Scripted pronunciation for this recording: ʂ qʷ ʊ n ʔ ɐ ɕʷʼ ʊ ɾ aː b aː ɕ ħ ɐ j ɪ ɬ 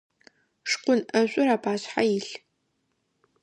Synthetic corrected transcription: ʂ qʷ ʊ n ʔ ɐ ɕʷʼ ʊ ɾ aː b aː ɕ ħ a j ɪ ɬ

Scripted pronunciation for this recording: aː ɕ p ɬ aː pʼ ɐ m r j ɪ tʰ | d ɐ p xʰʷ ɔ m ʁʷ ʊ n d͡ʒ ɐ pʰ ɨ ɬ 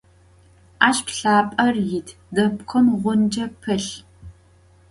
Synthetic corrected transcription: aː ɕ p ɬ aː pʼ ɐ r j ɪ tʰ | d ɐ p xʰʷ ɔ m ʁʷ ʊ n d͡ʒ ɐ pʰ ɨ ɬ

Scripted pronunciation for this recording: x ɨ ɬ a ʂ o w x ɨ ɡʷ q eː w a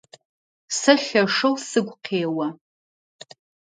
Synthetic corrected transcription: s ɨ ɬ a ʂ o w s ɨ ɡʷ qʰ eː w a

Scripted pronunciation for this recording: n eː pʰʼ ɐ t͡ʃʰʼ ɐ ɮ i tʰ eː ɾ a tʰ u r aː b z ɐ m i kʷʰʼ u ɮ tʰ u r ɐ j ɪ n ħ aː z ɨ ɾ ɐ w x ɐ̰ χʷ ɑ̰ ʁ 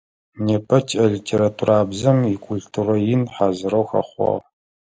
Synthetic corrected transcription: n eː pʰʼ ɐ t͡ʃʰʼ ɐ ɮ i tʰ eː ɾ a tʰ u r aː b z ɐ m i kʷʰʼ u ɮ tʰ u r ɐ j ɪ n ħ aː z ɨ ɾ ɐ w x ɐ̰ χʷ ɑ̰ ʁ

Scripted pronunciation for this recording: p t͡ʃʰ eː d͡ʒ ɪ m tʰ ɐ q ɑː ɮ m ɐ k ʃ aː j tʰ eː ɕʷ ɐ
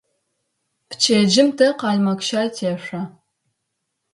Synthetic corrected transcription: p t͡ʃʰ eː d͡ʒ ɪ m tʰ ɐ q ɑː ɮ m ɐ k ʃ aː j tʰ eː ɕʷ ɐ

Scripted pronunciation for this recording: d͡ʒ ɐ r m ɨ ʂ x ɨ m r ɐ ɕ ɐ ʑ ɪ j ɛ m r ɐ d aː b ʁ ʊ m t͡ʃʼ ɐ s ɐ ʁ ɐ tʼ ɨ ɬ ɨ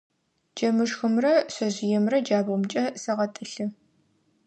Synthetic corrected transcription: d͡ʒ ɐ m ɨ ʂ x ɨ m r ɐ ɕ ɐ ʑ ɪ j ɛ m r ɐ d͡ʒ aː b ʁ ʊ m t͡ʃʼ ɐ s ɐ ʁ ɐ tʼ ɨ ɬ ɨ

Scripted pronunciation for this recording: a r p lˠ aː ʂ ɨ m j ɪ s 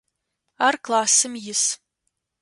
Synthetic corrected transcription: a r k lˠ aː s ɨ m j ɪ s

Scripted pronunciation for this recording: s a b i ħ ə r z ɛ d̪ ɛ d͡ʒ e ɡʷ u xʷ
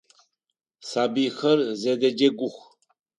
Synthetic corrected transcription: s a b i x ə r z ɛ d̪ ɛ d͡ʒ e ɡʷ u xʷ

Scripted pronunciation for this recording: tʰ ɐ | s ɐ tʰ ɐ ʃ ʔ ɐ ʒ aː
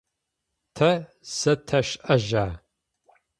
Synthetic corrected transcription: tʰ ɐ | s ɐ tʰ ɐ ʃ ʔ ɐ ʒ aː

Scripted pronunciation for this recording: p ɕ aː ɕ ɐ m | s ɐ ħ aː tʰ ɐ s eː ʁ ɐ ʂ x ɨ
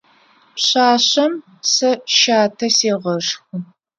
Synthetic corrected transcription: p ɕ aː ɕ ɐ m | s ɐ ʃ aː tʰ ɐ s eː ʁ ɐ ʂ x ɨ

